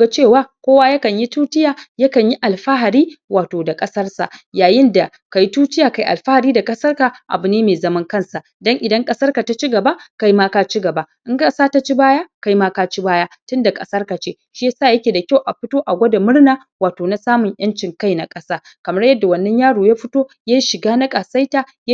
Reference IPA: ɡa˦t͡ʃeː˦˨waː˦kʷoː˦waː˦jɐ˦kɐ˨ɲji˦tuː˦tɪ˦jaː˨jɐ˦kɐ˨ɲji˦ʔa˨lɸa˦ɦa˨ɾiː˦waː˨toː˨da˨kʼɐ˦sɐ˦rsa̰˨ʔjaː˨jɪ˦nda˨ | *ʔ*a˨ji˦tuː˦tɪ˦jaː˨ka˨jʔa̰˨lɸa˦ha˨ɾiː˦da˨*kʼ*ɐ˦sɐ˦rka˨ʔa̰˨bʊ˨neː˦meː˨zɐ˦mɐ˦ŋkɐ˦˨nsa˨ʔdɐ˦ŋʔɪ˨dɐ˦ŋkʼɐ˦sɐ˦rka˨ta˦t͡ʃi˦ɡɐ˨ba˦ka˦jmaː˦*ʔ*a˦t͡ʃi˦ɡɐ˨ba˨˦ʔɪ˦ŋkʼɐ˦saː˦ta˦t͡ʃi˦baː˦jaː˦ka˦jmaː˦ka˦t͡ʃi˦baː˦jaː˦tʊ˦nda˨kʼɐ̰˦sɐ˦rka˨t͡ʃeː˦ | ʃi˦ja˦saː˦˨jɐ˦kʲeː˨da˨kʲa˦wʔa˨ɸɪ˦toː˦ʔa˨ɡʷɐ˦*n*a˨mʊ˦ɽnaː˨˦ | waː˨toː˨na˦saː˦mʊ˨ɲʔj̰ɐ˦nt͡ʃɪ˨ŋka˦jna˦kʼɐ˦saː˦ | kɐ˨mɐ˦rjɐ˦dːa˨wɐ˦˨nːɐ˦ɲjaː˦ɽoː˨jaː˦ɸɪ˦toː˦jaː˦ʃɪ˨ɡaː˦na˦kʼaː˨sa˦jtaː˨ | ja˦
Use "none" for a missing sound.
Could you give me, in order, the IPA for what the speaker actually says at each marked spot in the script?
k, kʼ, k, d

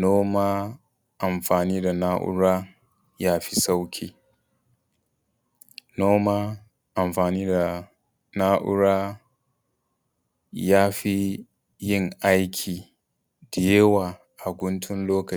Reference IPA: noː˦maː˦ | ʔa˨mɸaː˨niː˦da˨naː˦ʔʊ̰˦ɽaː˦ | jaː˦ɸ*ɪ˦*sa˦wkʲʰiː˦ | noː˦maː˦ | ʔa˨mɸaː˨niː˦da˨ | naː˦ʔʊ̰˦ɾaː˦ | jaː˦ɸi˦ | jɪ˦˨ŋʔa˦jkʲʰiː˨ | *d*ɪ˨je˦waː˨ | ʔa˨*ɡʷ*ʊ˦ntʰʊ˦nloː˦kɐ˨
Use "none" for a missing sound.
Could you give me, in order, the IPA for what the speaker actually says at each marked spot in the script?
i˦, d, ɡʷ

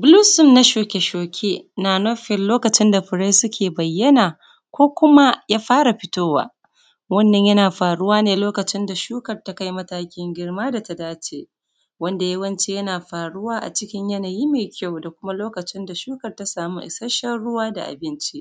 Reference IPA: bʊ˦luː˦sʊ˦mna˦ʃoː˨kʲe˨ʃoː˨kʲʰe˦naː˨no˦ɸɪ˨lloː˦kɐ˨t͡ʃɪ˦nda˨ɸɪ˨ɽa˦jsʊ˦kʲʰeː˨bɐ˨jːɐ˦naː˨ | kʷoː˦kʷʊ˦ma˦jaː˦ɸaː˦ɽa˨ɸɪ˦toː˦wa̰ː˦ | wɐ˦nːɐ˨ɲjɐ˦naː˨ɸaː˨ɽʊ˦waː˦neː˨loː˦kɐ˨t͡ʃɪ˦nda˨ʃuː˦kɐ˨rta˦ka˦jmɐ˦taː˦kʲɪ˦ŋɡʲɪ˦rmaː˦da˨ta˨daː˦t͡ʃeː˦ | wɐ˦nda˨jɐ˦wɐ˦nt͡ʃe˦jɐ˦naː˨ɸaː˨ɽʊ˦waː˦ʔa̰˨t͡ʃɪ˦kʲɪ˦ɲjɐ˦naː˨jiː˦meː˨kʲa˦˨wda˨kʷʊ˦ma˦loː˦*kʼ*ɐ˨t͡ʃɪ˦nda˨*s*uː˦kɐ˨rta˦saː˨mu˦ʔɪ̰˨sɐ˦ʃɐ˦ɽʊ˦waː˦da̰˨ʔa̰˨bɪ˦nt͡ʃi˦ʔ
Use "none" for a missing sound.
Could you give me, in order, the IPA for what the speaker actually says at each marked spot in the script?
k, ʃ

